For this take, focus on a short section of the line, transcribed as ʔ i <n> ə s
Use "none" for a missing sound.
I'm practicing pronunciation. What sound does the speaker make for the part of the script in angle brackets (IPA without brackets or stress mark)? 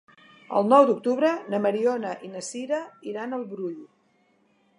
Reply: n